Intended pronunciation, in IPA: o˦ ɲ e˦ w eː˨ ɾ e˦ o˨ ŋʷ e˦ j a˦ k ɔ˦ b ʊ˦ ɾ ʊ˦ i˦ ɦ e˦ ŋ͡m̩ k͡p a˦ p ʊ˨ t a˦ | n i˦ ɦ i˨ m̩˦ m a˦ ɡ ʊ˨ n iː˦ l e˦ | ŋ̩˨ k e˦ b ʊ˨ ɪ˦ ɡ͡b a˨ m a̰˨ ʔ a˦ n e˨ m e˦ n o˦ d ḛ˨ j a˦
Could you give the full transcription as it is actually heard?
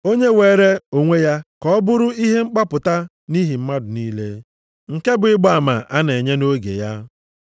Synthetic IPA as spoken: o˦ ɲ e˦ w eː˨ ɾ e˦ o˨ ŋʷ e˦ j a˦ k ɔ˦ b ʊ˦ ɾ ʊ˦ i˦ ɦ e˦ ŋ͡m̩ k͡p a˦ p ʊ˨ t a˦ | n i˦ ɦ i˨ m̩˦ m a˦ d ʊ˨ n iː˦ l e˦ | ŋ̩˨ k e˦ b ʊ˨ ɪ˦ ɡ͡b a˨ m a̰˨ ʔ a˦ n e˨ ɲ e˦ n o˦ ɡ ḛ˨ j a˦